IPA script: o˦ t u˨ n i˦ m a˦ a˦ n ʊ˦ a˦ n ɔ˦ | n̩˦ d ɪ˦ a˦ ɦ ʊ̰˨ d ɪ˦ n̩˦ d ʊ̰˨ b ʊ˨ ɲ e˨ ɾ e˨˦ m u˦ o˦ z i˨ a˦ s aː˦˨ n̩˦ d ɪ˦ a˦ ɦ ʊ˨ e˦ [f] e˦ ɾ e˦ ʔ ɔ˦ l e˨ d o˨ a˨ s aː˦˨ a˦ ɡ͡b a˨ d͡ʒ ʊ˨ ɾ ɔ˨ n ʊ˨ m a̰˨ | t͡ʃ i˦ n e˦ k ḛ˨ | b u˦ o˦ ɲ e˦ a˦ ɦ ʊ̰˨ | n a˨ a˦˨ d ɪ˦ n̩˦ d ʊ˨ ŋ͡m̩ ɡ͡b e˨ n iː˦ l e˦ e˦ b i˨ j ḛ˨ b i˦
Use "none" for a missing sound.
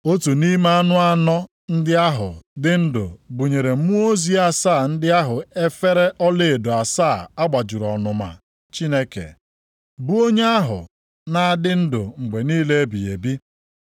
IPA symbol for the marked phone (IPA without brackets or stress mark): f